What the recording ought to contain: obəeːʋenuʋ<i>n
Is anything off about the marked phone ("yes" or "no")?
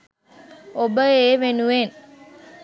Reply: yes